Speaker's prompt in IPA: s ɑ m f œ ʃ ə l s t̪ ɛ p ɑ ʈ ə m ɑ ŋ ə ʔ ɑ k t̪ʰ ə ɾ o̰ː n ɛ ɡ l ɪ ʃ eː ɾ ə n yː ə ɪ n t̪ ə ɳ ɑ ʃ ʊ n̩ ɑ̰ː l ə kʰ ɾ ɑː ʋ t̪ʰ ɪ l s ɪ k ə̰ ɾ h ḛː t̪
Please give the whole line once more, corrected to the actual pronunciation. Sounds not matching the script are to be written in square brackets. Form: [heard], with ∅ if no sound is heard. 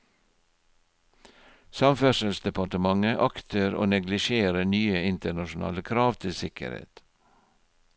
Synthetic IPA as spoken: s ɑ m f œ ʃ ə l s [d̪] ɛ p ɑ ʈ ə m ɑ ŋ ə ʔ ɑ k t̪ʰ ə ɾ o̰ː n ɛ ɡ l ɪ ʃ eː ɾ ə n yː ə ɪ n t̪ ə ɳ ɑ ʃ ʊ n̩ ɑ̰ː l ə kʰ ɾ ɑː ʋ t̪ʰ ɪ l s ɪ k ə̰ ɾ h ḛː t̪